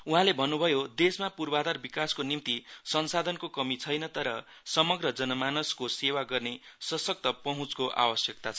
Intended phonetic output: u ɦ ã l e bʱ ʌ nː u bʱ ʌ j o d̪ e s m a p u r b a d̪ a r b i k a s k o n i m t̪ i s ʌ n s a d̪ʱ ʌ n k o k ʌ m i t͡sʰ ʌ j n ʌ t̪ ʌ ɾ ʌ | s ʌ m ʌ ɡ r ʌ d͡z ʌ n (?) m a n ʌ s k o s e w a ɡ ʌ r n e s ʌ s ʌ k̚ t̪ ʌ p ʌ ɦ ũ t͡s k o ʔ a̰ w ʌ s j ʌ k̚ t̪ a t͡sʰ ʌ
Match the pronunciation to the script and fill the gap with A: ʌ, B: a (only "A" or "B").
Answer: A